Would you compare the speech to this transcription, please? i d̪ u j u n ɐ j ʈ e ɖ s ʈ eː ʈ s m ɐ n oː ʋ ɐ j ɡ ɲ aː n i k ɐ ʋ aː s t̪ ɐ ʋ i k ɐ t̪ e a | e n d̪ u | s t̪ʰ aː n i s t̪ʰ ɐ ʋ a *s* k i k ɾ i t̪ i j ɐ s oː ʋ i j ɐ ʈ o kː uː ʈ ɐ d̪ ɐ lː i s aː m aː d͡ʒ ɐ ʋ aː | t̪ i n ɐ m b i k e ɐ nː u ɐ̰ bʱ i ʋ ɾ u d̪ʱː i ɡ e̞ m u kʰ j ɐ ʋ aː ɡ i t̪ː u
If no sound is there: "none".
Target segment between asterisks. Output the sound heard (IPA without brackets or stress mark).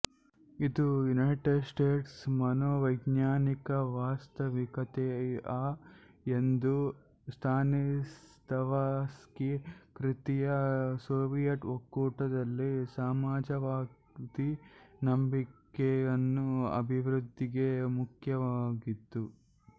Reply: s